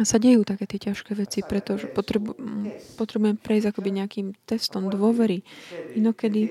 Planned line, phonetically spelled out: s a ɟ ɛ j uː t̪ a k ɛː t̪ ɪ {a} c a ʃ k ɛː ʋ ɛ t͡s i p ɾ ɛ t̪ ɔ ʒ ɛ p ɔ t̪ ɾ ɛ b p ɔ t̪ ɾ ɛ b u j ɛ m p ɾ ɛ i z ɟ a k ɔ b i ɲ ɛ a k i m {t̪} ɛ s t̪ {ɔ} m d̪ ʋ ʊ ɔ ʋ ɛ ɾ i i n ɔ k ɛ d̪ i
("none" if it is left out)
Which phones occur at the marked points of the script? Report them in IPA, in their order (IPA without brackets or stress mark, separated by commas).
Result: ɛ, t̪, ɔ